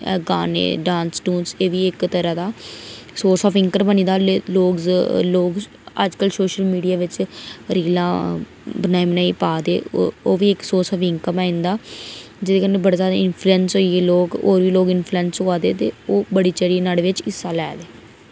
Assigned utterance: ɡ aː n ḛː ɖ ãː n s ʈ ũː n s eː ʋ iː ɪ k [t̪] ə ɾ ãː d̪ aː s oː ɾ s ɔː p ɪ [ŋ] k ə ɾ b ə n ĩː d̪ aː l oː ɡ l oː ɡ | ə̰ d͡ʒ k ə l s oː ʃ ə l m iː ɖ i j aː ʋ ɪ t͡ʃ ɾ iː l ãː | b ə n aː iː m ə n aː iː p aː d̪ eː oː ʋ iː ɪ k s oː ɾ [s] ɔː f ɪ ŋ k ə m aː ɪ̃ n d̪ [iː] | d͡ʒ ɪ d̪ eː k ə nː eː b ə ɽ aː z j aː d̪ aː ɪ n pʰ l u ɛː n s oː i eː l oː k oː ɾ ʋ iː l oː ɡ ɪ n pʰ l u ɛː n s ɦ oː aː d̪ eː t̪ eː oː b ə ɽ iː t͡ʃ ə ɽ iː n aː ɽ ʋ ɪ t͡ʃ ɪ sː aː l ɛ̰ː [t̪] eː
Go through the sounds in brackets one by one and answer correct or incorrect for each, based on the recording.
correct, correct, correct, incorrect, incorrect

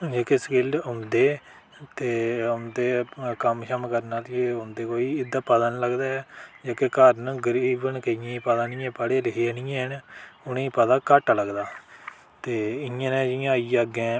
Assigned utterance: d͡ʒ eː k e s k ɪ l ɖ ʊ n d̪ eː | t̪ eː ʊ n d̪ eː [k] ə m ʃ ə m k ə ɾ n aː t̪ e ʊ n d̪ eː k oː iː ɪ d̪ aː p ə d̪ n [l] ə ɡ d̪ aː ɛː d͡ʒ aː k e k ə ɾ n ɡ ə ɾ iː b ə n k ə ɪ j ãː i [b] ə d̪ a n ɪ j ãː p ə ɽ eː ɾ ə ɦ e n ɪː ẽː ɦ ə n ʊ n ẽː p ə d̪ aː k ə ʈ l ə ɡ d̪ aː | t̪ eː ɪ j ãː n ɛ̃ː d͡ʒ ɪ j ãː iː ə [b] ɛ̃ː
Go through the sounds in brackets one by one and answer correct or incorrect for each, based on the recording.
correct, correct, incorrect, incorrect

